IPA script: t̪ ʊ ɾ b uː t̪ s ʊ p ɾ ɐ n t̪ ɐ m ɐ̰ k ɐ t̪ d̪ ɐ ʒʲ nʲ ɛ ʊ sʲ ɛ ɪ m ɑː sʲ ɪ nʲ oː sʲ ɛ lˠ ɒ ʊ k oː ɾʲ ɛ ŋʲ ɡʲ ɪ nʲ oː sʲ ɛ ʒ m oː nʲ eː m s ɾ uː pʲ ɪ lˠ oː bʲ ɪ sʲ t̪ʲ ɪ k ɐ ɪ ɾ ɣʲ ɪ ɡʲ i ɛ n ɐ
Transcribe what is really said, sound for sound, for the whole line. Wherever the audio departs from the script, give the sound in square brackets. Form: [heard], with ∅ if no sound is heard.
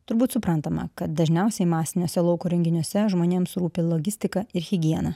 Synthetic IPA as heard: t̪ ʊ ɾ b uː t̪ s ʊ p ɾ ɐ n t̪ ɐ m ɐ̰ k ɐ t̪ d̪ ɐ ʒʲ nʲ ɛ ʊ sʲ ɛ ɪ m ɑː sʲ ɪ nʲ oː sʲ ɛ lˠ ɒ ʊ k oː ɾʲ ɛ ŋʲ ɡʲ ɪ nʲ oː sʲ ɛ ʒ m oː nʲ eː m s ɾ uː pʲ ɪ lˠ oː [ɡʲ] ɪ sʲ t̪ʲ ɪ k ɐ ɪ ɾ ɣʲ ɪ ɡʲ i ɛ n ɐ